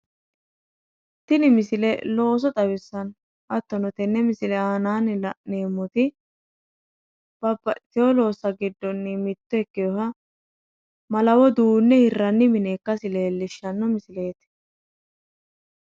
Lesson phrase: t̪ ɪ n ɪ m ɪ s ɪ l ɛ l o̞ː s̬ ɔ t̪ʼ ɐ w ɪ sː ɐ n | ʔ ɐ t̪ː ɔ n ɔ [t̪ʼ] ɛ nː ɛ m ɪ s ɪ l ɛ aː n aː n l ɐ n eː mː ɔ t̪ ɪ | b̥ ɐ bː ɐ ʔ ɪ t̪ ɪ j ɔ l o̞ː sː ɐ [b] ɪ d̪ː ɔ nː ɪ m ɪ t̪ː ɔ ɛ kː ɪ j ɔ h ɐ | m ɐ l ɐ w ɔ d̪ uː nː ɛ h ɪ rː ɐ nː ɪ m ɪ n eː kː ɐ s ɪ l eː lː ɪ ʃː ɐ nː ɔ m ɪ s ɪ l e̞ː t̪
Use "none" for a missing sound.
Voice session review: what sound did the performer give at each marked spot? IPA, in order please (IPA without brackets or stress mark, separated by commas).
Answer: t̪, ɡ